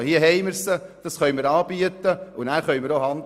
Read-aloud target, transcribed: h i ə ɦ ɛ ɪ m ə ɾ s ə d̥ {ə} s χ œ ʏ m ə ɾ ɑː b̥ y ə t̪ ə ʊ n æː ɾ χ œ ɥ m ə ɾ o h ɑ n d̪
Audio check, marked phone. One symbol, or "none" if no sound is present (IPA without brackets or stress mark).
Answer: ɑ